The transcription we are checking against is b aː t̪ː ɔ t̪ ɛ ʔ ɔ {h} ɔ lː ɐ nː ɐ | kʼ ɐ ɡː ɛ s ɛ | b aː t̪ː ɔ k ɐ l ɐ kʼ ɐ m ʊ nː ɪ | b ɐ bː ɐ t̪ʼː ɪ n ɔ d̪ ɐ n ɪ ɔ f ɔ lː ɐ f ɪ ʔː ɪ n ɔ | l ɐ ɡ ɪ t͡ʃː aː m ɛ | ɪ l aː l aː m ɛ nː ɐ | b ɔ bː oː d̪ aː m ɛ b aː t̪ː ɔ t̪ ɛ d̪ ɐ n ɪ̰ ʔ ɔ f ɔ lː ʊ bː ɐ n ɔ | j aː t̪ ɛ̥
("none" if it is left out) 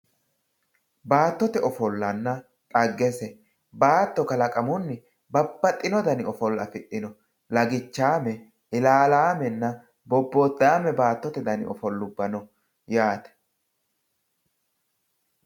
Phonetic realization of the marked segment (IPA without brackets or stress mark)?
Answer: f